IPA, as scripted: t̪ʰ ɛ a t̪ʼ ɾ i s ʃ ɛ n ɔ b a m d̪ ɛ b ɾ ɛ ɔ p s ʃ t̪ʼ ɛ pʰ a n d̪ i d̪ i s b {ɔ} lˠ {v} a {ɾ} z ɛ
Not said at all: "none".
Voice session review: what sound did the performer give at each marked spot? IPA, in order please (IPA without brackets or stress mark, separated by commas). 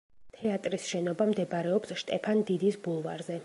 u, v, ɾ